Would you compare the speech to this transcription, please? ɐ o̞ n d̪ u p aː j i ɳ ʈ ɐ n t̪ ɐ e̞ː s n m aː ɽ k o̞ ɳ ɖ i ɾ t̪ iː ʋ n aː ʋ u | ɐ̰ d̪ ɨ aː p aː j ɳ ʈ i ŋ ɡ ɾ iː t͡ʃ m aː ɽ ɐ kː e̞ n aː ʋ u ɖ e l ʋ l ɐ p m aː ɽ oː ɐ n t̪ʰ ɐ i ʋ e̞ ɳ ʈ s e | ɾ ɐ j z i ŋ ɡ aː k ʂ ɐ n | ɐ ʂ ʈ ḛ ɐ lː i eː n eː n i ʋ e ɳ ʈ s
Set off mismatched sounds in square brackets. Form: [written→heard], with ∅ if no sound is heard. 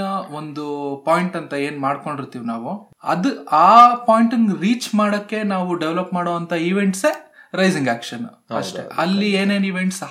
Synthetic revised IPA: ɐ o̞ n d̪ u p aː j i ɳ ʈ ɐ n t̪ ɐ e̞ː [s→∅] n m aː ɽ k o̞ ɳ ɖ i ɾ t̪ iː ʋ n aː ʋ u | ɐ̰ d̪ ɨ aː p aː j ɳ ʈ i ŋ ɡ ɾ iː t͡ʃ m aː ɽ ɐ kː e̞ n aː ʋ u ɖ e [l→∅] ʋ l ɐ p m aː ɽ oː ɐ n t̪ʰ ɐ i ʋ e̞ ɳ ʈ s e | ɾ ɐ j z i ŋ ɡ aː k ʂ ɐ n | ɐ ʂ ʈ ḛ ɐ lː i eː n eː n i ʋ e ɳ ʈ s